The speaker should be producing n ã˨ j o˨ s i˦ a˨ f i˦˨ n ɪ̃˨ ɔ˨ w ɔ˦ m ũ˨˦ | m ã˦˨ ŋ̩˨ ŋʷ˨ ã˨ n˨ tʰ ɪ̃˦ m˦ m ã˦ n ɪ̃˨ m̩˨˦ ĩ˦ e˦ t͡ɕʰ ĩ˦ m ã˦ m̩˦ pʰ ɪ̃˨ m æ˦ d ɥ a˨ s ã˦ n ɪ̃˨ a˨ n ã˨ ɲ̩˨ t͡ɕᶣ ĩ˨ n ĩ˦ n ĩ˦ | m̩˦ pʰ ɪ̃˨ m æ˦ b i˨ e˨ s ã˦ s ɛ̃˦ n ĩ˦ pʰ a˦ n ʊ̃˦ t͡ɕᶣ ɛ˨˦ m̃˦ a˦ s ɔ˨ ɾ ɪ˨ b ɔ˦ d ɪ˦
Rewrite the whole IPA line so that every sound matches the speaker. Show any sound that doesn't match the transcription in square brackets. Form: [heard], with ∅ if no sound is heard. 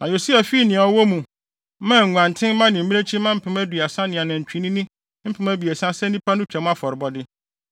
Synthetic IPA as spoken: n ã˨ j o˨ s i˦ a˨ f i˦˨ n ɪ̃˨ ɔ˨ w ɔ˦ m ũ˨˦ | m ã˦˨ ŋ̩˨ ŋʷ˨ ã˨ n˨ tʰ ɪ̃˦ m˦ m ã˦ n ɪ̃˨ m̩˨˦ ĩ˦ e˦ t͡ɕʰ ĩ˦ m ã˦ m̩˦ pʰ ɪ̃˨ m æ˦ d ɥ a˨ s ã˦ n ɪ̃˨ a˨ n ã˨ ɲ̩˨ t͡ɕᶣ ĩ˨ n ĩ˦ n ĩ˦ | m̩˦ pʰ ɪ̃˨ m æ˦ b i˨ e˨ s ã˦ s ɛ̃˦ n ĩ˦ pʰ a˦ n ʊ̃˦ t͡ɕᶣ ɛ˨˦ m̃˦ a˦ [f] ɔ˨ ɾ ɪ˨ b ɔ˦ d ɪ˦

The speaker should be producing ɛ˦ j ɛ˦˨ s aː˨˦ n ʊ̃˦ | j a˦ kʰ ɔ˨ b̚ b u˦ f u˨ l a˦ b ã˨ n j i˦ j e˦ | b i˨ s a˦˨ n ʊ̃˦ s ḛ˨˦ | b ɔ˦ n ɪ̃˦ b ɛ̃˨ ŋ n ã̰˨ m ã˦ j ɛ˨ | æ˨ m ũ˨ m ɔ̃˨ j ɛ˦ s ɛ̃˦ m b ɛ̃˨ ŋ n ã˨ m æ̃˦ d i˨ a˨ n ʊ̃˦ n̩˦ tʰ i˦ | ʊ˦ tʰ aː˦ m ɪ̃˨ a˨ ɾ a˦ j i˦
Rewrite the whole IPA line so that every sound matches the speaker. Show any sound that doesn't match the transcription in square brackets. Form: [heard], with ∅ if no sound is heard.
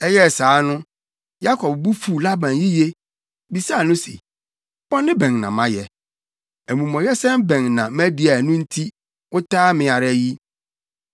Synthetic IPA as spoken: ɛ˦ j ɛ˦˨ s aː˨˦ n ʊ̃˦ | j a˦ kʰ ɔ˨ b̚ b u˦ f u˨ l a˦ b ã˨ n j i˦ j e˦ | b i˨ s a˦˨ n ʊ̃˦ s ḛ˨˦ | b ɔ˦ n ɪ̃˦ b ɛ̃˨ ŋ n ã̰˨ m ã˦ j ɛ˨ | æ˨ m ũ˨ m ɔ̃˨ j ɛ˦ s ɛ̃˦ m b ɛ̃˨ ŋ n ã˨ m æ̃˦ d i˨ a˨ n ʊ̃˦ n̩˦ tʰ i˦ | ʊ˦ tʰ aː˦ m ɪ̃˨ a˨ ɾ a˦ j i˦

